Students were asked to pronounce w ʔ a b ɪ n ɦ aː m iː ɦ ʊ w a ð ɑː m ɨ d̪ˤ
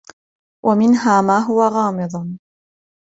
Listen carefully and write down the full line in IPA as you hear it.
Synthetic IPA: w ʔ a m ɪ n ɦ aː m aː ɦ ʊ w a ɣ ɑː m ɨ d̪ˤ